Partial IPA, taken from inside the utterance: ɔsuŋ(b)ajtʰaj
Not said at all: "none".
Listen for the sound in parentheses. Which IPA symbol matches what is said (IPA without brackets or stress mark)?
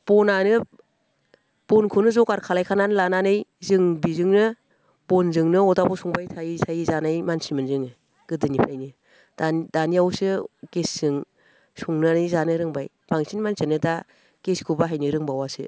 b